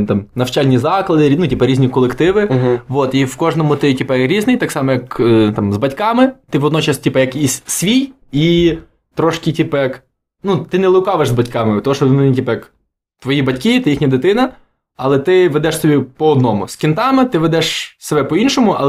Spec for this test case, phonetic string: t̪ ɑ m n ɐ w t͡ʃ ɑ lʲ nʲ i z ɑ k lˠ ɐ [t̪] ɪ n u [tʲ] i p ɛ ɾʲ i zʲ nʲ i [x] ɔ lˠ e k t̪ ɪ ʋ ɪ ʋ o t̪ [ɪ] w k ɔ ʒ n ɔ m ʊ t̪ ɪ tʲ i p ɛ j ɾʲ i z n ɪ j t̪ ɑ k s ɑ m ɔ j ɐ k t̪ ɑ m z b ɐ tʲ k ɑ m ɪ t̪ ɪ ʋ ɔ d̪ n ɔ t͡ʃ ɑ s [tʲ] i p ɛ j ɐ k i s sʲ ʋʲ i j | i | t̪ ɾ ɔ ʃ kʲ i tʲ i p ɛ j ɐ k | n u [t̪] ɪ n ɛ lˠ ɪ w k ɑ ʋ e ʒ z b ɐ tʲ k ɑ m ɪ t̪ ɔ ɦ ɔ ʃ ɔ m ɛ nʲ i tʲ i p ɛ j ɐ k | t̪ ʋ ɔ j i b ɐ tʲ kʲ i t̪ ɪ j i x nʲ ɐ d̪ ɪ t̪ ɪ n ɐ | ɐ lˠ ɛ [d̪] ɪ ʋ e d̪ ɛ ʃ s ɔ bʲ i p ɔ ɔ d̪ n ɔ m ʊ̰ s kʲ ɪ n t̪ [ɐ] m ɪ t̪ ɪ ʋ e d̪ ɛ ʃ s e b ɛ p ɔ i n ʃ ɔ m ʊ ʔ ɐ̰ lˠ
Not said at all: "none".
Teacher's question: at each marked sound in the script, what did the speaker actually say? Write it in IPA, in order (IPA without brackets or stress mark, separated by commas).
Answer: d̪, tʲ, k, i, tʲ, t̪, t̪, ɑ